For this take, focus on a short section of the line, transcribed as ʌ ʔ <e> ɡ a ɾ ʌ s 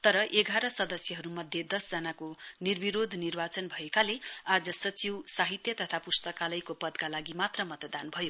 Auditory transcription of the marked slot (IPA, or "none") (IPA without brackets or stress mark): e